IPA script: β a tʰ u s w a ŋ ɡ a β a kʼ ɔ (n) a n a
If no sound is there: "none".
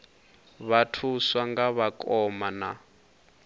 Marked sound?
m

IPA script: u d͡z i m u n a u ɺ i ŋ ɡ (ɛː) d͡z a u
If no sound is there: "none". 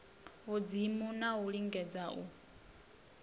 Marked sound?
ɛ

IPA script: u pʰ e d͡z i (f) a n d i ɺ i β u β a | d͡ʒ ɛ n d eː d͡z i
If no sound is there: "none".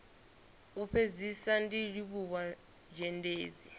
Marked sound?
s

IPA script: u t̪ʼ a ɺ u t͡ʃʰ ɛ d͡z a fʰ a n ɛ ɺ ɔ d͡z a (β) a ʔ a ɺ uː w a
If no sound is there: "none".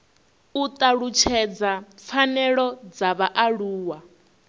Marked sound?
β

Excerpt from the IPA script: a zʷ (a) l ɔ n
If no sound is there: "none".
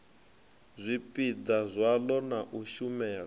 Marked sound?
a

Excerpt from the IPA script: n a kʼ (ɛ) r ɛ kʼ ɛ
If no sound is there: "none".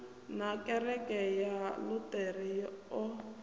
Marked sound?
ɛ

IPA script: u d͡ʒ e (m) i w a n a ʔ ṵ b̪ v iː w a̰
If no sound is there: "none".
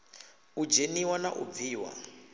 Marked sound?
n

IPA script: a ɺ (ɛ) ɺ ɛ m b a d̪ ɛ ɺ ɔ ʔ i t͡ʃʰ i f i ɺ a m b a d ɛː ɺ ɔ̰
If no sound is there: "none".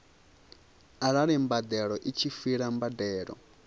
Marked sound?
a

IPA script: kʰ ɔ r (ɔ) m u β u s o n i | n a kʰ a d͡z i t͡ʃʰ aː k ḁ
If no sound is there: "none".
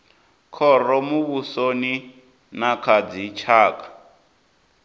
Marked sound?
ɔ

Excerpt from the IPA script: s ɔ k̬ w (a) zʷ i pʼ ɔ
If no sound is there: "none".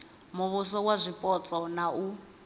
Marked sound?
a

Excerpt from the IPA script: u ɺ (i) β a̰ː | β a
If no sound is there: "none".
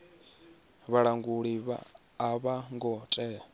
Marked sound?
i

